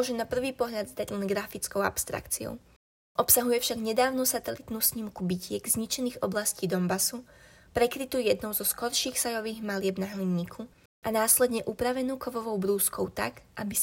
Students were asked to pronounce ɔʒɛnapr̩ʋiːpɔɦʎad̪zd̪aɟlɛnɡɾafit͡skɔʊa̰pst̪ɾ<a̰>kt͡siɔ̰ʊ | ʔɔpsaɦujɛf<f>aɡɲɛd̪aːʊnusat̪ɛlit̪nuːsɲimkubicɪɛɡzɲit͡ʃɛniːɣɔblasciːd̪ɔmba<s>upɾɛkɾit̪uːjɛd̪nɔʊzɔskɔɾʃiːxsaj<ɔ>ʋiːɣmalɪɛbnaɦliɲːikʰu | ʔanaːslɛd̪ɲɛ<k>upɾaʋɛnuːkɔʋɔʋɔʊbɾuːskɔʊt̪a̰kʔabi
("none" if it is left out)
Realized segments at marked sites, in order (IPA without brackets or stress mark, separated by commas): a̰, ʃ, s, ɔ, ʔ